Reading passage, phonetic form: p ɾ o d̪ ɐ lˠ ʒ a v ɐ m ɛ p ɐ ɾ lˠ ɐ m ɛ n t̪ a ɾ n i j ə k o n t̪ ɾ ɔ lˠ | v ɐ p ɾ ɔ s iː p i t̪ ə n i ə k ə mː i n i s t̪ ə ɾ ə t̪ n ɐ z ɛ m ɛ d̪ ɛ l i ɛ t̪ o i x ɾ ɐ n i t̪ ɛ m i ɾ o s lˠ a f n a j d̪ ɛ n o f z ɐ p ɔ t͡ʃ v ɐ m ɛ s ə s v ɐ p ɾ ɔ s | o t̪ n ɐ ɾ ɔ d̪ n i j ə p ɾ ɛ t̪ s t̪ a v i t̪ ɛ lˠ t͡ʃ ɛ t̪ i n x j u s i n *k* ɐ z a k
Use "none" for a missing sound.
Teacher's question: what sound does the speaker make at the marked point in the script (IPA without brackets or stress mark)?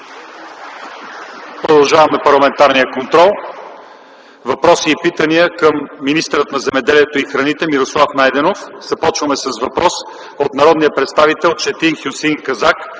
k